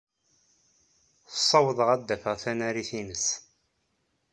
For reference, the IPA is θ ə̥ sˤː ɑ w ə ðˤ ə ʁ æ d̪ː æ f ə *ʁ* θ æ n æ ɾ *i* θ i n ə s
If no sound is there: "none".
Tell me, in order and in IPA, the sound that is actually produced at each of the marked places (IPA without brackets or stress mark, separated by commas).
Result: ʁ, i